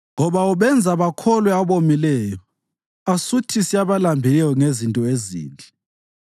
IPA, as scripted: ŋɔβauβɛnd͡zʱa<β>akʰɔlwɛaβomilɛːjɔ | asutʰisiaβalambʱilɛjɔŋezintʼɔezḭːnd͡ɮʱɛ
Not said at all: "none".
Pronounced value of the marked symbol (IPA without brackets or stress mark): β